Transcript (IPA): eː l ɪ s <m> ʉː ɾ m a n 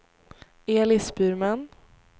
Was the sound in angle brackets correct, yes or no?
no